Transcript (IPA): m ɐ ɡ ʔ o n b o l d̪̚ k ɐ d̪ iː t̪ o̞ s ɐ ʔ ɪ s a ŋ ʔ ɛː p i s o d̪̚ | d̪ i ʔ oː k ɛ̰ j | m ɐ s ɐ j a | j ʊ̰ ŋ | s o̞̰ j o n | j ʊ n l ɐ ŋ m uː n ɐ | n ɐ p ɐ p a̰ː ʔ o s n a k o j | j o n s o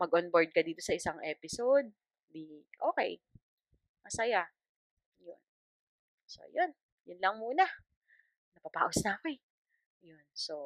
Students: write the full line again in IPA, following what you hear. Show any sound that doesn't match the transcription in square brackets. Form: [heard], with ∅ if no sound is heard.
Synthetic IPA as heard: m ɐ ɡ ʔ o n b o [ɹ] d̪̚ k ɐ d̪ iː t̪ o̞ s ɐ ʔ ɪ s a ŋ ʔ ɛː p [ɪ] s o d̪̚ | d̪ i ʔ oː k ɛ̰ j | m ɐ s ɐ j a | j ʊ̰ [n] | s o̞̰ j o n | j ʊ n l ɐ ŋ m uː n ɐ | n ɐ p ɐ p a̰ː ʔ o s n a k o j | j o n s o